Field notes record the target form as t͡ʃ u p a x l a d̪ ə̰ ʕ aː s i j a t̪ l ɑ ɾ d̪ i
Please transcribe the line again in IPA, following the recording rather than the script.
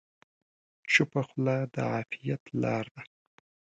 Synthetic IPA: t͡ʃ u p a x l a d̪ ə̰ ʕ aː f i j a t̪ l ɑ ɾ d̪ a